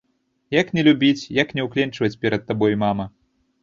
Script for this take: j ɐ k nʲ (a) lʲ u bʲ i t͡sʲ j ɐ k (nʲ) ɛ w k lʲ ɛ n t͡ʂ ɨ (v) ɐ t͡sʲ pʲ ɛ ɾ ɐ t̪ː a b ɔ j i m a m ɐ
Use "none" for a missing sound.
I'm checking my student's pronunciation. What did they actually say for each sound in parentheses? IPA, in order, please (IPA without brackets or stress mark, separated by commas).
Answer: ɛ, nʲ, v